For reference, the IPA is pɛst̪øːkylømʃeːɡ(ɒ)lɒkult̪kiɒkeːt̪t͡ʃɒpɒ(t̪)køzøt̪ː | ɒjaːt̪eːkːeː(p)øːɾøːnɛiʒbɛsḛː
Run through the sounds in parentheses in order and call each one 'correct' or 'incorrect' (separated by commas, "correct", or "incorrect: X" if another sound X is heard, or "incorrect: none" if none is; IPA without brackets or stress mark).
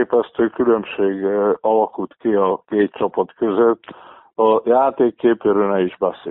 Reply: correct, correct, correct